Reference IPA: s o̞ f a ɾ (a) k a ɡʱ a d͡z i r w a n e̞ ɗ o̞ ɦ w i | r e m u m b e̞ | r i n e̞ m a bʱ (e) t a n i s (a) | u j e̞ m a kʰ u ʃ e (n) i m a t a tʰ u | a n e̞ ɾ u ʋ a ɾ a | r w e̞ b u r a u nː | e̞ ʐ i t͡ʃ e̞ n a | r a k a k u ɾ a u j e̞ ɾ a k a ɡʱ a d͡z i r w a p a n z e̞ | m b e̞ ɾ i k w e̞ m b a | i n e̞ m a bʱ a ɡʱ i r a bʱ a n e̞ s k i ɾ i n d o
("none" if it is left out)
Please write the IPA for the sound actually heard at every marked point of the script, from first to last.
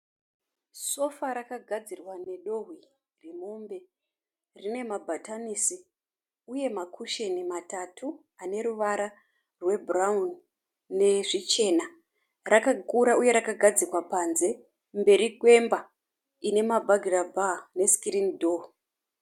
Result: a, a, i, n

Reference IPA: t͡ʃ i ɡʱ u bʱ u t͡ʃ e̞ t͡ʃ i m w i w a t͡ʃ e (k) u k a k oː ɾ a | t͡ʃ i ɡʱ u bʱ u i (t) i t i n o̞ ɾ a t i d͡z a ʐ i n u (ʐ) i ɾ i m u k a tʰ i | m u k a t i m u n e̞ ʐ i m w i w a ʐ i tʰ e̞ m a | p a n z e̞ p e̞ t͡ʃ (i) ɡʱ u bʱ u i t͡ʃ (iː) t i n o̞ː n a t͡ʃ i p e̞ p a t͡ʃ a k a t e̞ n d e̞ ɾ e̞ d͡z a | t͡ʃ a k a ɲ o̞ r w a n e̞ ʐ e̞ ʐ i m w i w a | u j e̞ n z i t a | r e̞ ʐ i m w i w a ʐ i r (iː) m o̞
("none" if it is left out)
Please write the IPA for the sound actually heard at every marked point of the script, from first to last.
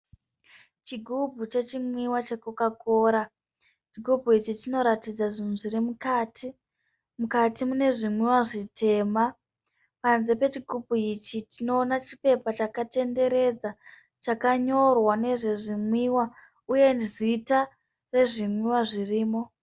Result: k, t͡ʃ, ʐ, i, i, iː

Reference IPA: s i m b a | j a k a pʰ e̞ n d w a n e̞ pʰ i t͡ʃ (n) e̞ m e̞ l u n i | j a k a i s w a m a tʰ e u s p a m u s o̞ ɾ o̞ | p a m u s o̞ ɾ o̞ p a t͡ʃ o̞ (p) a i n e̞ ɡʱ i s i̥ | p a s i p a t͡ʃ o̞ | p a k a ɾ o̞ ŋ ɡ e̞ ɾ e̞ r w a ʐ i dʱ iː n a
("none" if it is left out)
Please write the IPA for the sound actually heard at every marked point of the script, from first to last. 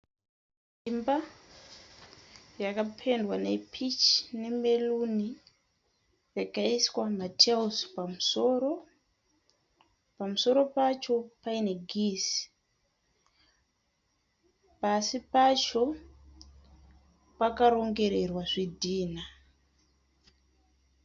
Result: n, p

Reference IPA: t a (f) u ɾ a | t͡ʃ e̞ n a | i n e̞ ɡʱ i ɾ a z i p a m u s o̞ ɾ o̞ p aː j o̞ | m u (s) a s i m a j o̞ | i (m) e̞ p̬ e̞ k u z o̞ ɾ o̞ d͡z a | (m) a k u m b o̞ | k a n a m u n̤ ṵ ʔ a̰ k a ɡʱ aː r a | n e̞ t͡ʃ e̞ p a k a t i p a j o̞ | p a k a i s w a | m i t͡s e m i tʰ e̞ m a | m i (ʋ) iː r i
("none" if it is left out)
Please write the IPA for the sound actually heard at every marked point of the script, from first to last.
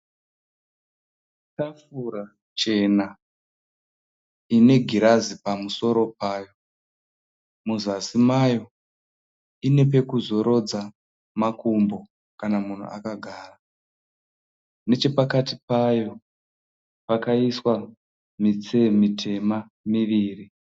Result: f, z, n, m, ʋ

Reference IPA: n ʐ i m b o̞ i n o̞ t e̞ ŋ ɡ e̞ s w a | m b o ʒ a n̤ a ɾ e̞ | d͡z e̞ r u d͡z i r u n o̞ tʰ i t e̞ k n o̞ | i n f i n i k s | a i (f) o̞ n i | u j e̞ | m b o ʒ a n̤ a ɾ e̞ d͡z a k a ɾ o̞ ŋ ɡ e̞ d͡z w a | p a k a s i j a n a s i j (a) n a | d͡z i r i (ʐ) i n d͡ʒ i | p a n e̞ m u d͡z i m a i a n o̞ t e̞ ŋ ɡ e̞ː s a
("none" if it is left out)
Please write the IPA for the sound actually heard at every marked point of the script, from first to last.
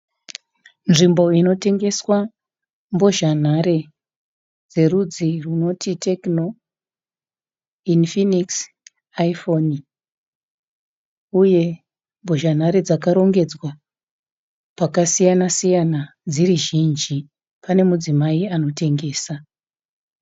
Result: f, a, ʒ

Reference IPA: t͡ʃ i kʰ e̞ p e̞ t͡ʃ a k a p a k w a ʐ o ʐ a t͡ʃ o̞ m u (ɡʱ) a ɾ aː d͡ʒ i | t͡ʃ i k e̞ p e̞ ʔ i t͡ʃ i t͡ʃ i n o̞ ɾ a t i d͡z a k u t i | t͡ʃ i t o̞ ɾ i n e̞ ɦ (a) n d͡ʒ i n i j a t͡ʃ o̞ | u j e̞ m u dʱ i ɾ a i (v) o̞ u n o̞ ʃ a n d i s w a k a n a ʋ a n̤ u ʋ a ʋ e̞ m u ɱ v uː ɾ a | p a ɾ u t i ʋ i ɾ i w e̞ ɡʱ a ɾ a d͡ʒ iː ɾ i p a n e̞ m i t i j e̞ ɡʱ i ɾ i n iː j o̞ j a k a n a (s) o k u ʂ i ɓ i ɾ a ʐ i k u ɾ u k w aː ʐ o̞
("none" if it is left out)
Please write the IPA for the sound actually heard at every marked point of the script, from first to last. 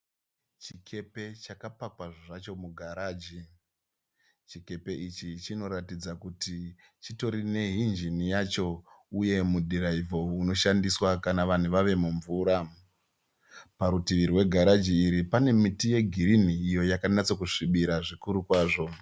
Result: ɡʱ, i, v, t͡s

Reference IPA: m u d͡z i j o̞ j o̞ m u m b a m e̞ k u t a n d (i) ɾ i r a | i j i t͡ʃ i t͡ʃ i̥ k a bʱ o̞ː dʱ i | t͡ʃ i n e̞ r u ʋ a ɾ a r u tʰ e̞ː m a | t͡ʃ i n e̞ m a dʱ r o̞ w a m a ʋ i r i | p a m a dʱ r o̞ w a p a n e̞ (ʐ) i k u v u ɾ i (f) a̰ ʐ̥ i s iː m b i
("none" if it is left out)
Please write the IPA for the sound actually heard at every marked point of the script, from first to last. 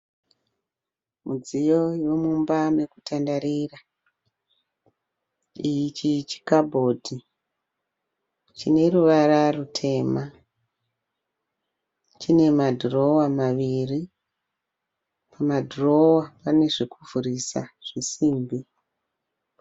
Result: a, ʐ, s

